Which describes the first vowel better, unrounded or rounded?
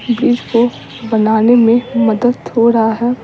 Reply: unrounded